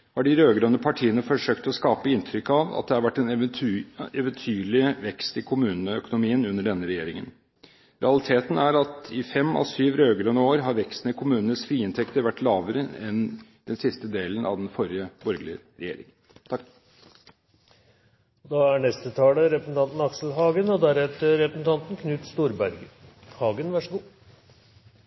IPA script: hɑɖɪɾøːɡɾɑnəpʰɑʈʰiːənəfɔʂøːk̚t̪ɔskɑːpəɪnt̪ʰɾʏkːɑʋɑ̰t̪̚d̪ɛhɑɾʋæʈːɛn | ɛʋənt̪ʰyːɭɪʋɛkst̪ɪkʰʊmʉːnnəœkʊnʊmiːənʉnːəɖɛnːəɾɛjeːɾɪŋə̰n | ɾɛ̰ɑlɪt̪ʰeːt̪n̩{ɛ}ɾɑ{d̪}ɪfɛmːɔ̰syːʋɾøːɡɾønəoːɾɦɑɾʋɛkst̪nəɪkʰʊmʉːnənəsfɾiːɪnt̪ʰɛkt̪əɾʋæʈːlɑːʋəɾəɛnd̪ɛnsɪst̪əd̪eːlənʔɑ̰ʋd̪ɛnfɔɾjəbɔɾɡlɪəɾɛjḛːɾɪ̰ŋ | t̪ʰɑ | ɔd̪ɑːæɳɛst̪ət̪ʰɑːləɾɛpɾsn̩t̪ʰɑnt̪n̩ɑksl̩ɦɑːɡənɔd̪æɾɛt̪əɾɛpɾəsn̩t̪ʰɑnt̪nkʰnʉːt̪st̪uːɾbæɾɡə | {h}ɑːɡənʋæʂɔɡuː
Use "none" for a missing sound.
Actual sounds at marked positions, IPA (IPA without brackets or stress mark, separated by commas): æ, t̪, h